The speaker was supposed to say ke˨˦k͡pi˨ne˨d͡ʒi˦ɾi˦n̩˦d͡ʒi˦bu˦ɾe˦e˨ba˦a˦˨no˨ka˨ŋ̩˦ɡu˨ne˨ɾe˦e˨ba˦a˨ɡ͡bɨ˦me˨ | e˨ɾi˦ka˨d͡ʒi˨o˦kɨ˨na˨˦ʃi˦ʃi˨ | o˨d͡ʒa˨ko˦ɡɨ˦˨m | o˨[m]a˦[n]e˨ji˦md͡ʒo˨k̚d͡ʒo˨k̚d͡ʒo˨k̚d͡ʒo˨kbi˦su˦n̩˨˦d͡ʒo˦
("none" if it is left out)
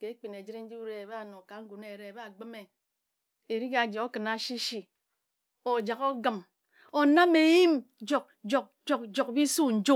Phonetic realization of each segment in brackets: n, m

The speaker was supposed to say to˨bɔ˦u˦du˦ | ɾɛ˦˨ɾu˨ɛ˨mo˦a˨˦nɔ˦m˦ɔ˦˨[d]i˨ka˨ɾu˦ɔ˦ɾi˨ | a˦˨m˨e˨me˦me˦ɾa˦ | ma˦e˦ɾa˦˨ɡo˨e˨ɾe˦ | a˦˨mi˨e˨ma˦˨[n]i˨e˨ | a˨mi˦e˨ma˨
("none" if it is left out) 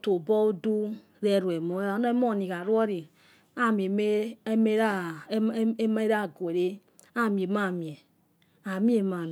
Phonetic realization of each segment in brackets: n, m

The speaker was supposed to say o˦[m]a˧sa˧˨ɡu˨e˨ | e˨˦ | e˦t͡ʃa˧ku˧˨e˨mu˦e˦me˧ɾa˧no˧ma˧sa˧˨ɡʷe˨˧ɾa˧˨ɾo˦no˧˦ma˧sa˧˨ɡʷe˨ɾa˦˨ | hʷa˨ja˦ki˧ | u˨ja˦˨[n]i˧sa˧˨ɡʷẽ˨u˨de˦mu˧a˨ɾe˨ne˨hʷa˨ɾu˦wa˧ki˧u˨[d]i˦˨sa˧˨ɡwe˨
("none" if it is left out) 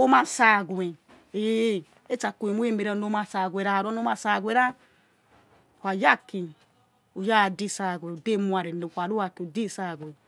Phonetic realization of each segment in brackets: m, d, d

